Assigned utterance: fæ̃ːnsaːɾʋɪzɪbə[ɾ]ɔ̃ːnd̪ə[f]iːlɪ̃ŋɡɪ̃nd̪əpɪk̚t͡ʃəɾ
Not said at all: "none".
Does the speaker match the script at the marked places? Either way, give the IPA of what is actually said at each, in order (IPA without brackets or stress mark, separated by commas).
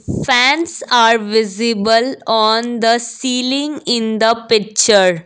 l, s